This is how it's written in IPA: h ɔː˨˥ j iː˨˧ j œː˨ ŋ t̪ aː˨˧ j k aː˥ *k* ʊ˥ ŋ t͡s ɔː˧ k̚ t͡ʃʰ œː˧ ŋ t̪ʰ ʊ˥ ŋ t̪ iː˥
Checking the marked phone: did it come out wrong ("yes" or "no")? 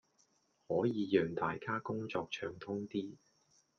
no